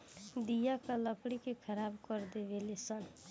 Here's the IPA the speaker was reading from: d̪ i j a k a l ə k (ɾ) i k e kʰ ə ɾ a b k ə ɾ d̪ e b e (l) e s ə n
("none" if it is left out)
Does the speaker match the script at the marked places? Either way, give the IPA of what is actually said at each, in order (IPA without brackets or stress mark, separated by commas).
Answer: ɽ, l